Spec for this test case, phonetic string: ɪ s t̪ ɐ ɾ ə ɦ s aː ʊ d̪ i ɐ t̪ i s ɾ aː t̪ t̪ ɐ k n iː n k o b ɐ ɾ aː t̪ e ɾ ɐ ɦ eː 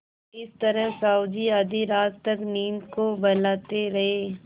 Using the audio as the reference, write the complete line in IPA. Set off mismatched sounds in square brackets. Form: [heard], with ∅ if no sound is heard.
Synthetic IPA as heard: ɪ s t̪ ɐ ɾ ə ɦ s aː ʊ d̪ i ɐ [d̪] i [∅] ɾ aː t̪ t̪ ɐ k n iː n k o b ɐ [l] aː t̪ e ɾ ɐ ɦ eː